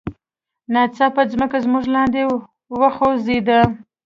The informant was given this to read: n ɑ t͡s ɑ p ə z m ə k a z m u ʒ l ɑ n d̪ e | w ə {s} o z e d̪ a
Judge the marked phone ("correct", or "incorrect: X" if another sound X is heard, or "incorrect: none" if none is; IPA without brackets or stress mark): incorrect: x